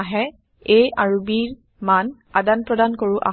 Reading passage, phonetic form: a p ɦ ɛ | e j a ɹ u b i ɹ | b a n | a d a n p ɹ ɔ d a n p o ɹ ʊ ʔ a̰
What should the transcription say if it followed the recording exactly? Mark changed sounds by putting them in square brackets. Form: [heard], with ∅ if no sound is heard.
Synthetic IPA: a [∅] ɦ ɛ | e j a ɹ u b i ɹ | [m] a n | a d a n p ɹ ɔ d a n [k] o ɹ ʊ ʔ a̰